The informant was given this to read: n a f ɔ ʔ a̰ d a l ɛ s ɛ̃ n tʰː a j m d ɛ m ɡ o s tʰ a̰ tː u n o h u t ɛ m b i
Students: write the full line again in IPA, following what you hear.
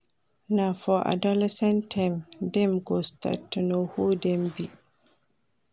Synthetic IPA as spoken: n a f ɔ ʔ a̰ d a l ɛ s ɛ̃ n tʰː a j m d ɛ m ɡ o s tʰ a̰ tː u n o h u d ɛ m b i